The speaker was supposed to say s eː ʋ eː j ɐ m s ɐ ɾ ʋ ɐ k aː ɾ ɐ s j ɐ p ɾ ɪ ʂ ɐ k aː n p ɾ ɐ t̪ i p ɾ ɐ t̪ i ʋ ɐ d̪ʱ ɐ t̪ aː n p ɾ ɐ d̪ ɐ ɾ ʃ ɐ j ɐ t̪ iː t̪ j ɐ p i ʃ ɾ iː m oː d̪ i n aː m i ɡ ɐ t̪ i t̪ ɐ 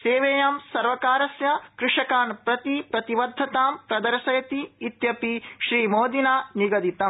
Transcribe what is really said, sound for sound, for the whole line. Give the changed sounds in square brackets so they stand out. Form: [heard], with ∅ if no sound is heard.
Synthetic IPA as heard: s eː ʋ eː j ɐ m s ɐ ɾ ʋ ɐ k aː ɾ ɐ s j ɐ [k] ɾ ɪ ʂ ɐ k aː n p ɾ ɐ t̪ i p ɾ ɐ t̪ i ʋ ɐ [d̪ʱː] ɐ t̪ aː [m] p ɾ ɐ d̪ ɐ ɾ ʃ ɐ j ɐ t̪ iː t̪ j ɐ p i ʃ ɾ iː m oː d̪ i n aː [n] i ɡ ɐ [d̪] i t̪ ɐ